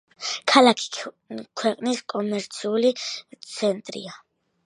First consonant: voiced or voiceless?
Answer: voiceless